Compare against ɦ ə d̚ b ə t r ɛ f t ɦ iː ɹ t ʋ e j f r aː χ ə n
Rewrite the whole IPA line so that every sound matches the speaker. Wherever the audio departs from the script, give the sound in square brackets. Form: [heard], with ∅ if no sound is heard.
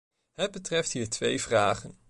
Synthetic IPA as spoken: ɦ ə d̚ b ə t r ɛ f t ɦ iː ɹ t ʋ e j [v] r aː χ ə n